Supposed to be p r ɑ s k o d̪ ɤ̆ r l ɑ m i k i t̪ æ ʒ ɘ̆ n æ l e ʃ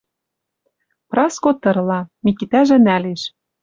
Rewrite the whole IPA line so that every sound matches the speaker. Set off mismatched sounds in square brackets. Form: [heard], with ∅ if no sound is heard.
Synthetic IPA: p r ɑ s k o [t̪] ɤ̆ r l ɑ m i k i t̪ æ ʒ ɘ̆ n æ l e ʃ